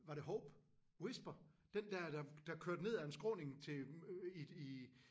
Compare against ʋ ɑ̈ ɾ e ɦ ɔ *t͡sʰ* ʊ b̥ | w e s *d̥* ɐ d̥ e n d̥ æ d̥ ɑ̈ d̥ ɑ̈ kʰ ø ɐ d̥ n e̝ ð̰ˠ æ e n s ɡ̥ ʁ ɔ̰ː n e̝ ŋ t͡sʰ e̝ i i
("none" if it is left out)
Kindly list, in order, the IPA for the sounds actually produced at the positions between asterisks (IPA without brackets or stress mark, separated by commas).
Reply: none, b̥